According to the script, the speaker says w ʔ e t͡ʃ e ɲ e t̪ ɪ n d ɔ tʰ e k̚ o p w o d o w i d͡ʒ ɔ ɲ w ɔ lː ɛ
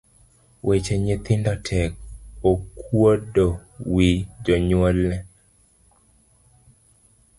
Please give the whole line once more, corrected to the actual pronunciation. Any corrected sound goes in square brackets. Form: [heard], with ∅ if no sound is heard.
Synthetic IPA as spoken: w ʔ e t͡ʃ e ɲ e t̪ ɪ n d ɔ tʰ [ɛ] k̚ o [k] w o d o w i d͡ʒ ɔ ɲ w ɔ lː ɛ